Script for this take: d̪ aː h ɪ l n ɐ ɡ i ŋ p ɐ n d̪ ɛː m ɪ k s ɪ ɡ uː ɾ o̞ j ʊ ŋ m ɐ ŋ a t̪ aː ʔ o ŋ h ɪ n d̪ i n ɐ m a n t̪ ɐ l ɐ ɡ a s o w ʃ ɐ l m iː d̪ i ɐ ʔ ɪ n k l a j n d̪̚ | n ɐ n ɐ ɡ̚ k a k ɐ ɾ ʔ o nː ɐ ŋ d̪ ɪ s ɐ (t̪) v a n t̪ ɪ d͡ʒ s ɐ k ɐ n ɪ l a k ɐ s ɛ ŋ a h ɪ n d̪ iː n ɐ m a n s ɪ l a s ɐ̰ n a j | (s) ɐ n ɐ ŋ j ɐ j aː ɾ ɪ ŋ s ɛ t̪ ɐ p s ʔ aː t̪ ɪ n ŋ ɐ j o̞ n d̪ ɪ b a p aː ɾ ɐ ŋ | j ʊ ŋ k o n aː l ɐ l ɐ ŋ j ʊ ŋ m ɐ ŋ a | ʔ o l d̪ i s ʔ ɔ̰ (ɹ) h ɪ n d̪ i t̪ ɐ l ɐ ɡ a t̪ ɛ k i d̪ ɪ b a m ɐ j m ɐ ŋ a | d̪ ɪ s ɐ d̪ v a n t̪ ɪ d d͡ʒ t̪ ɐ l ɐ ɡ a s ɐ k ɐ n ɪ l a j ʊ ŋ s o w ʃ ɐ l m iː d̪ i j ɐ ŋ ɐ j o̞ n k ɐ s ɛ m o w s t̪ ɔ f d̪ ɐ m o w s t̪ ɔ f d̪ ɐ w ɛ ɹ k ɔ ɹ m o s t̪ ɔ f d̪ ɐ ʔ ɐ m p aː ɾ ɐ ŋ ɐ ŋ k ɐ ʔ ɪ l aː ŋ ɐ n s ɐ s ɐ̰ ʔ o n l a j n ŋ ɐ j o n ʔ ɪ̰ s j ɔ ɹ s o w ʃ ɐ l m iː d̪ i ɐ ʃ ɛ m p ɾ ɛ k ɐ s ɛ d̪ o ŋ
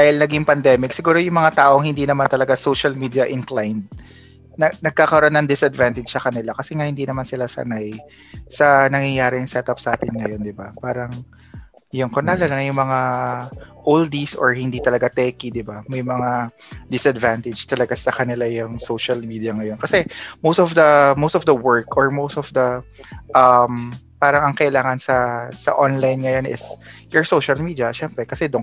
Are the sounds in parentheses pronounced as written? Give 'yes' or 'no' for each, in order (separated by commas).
no, yes, yes